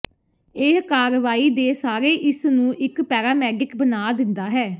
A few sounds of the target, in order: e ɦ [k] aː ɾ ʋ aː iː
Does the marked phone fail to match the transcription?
no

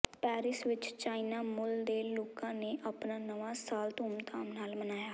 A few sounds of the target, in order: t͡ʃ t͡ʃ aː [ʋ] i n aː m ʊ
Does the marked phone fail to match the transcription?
yes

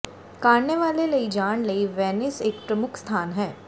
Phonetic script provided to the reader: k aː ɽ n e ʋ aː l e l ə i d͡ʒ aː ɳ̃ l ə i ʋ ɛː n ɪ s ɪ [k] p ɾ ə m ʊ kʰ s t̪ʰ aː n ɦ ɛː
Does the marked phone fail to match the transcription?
no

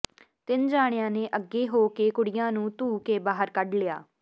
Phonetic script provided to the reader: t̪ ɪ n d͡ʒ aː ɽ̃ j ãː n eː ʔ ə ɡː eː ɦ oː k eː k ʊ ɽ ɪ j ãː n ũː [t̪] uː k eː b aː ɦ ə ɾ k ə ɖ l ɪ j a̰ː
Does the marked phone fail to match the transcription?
no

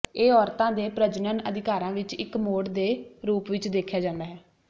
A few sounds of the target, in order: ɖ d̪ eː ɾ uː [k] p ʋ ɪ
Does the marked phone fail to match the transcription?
yes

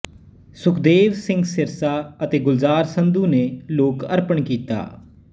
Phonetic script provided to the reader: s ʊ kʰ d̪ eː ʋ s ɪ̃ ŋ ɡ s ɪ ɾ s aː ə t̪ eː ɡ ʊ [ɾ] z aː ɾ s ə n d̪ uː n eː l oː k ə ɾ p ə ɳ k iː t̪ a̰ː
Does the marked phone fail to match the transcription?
yes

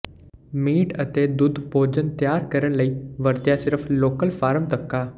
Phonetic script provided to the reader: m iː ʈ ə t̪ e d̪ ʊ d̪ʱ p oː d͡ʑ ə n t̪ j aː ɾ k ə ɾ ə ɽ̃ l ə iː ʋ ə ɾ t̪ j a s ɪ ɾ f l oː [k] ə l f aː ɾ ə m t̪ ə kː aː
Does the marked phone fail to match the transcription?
no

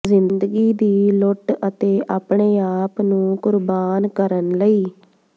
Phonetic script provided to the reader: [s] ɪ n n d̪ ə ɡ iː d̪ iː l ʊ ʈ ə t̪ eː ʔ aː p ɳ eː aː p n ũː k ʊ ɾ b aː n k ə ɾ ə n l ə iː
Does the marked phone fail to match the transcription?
yes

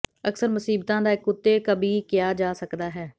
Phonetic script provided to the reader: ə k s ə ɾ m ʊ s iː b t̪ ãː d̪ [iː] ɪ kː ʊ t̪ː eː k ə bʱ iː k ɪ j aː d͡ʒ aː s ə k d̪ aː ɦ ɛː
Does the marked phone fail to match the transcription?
yes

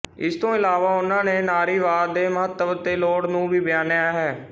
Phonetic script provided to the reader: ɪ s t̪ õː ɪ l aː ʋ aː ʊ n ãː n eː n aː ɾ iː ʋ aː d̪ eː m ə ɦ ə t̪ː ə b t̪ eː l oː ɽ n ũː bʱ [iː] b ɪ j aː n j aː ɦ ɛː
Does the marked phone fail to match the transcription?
no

